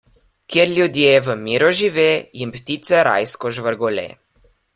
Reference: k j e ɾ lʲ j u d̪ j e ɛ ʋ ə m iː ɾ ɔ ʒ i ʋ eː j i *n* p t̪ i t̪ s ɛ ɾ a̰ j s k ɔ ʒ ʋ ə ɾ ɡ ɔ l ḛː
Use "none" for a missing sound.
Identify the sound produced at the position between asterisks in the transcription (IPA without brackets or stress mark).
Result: m